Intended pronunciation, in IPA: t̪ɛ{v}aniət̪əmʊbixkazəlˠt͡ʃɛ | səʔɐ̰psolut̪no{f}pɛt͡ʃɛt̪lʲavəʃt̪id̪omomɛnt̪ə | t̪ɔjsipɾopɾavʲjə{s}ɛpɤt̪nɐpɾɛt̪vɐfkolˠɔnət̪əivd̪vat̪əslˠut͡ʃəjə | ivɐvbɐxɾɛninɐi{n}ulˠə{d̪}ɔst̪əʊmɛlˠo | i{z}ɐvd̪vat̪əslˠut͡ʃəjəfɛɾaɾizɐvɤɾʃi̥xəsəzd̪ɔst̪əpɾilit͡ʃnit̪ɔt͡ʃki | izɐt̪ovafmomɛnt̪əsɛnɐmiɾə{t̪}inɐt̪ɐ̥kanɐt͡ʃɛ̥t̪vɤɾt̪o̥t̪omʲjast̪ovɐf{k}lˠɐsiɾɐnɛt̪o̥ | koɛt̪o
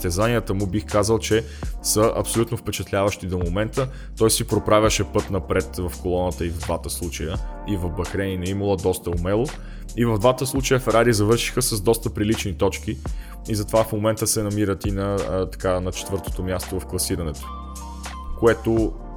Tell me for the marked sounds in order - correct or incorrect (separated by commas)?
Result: incorrect, correct, incorrect, incorrect, correct, incorrect, correct, correct